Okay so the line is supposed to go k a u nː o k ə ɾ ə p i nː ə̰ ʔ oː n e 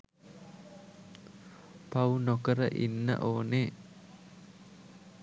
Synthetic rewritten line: p a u n o k ə ɾ ə ʔ i nː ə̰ ʔ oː n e